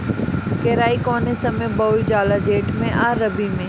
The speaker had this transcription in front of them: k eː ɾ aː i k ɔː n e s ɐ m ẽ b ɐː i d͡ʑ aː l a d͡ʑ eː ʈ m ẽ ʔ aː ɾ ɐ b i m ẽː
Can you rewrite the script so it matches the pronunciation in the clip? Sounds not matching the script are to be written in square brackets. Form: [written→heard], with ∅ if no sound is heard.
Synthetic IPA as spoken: k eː ɾ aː i k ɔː n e s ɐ m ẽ b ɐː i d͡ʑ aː l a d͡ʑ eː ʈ m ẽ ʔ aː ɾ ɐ b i m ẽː